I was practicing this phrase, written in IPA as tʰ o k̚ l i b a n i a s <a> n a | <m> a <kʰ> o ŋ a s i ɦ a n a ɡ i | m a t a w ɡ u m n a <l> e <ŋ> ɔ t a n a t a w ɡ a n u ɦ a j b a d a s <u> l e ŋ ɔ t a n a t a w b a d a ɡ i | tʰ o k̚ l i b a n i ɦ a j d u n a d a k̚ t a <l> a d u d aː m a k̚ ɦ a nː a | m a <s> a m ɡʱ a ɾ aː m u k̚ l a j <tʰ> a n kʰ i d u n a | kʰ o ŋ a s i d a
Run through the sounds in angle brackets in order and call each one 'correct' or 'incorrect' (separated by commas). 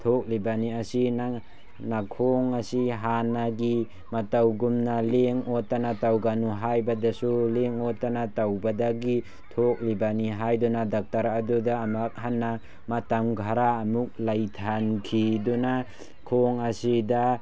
incorrect, incorrect, correct, correct, correct, correct, incorrect, incorrect, correct